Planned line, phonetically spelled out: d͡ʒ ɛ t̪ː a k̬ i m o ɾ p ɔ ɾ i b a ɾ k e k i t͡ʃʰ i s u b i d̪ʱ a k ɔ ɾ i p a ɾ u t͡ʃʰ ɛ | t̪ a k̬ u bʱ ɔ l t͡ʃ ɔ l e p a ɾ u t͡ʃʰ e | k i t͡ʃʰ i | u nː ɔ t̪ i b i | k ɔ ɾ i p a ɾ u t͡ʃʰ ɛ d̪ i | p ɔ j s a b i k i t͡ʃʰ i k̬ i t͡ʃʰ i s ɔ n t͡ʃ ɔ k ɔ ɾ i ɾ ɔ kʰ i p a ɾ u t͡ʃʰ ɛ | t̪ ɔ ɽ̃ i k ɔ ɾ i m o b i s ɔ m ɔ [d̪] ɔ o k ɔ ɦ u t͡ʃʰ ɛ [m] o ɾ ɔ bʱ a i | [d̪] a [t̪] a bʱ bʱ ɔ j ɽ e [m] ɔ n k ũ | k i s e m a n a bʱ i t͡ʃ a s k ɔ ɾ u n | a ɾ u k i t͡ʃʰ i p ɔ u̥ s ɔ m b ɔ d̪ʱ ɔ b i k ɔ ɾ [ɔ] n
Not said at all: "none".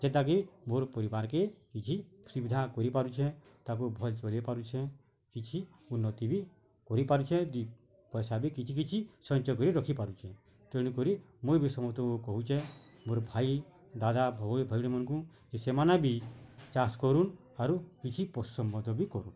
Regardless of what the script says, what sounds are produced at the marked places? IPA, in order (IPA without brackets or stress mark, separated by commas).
t̪, m, d̪, d̪, m, u